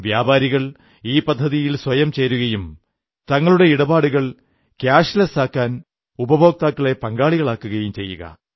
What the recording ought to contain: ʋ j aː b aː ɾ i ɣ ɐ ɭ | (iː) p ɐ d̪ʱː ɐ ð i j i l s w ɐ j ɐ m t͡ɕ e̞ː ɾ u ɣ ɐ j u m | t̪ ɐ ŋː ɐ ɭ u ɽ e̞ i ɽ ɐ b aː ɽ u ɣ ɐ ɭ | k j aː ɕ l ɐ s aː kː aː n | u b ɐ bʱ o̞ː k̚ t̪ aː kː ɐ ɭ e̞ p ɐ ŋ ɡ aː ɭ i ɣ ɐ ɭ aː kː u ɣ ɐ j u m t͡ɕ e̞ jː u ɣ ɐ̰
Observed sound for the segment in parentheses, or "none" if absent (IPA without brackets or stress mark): iː